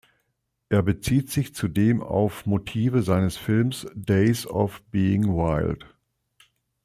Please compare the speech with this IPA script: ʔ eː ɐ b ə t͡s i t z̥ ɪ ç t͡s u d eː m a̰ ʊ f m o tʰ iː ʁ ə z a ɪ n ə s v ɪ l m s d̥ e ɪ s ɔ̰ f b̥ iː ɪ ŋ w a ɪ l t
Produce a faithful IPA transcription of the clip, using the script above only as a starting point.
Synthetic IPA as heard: ʔ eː ɐ b ə t͡s iː t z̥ ɪ ç t͡s u d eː m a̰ ʊ f m o tʰ iː v ə z a ɪ n ə s f ɪ l m s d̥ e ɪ s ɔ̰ f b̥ iː ɪ ŋ w a ɪ l t